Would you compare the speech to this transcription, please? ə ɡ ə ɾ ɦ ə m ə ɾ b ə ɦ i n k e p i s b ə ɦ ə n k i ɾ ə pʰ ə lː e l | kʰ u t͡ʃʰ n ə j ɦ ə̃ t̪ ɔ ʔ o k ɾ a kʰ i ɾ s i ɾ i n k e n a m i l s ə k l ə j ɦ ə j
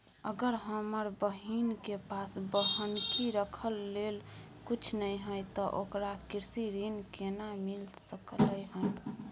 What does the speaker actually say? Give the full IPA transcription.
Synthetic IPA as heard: ə ɡ ə ɾ ɦ ə m ə ɾ b ə ɦ i n k e p a s b ə ɦ ə n k i ɾ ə kʰ ə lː e l | k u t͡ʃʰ n ə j ɦ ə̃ t̪ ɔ ʔ o k ɾ a k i ɾ s i ɾ i n k e n a m i l s ə k l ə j ɦ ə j